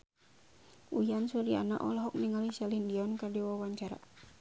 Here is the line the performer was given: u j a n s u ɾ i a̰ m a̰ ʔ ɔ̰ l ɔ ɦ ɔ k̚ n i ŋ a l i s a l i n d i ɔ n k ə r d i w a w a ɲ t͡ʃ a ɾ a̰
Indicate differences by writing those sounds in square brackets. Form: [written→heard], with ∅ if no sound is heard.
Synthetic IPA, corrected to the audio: u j a n s u ɾ i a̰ [m→n] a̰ ʔ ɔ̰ l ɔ ɦ ɔ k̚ n i ŋ a l i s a l i n d i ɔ n k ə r d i w a w a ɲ t͡ʃ a ɾ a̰